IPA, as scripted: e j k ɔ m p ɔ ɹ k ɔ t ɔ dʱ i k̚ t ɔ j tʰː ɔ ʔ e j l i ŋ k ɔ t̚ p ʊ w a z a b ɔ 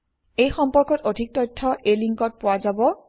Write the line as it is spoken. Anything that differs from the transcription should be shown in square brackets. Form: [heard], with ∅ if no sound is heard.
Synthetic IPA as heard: e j [x] ɔ m p ɔ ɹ k ɔ t [o] dʱ i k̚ t ɔ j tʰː ɔ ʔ e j l i ŋ k ɔ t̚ p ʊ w a z a b ɔ